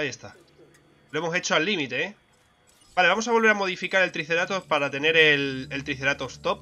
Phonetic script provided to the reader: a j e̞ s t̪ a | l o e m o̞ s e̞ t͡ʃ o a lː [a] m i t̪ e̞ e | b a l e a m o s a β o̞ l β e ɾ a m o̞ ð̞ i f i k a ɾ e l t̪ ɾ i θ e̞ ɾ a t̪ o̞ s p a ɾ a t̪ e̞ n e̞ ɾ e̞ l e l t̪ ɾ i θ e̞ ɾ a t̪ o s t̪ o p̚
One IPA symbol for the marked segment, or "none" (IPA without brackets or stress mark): i